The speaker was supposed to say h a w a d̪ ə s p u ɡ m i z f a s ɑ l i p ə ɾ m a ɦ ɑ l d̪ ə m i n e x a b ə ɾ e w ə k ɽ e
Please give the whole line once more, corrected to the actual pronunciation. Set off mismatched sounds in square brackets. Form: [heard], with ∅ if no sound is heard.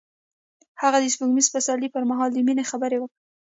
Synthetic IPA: h a [ɣ] a d̪ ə s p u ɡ m i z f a s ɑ l i p ə ɾ m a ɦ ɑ l d̪ ə m i n e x a b ə ɾ e w ə k ɽ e